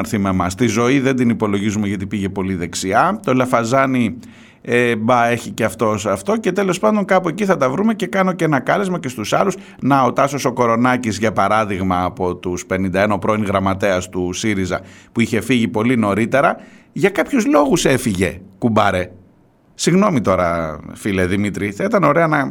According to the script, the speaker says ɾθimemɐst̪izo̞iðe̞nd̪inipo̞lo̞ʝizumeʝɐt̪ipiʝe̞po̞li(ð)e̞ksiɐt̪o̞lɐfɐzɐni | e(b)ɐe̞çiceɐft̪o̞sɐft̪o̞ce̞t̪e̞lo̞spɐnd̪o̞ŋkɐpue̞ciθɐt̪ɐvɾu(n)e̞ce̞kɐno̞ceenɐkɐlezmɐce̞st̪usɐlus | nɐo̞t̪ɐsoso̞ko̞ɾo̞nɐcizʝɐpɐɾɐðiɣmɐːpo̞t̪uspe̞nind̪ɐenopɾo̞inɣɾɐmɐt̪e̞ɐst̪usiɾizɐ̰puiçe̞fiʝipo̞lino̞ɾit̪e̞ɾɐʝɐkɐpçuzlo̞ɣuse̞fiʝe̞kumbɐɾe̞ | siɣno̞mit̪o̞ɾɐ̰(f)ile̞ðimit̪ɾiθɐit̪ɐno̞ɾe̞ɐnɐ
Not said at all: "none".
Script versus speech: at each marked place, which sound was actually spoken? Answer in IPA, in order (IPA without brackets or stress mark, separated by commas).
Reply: ð, b, m, f